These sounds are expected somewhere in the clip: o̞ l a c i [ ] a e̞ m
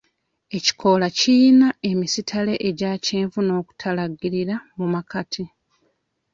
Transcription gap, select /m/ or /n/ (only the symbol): n